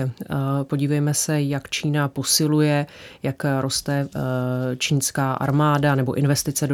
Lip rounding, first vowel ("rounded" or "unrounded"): rounded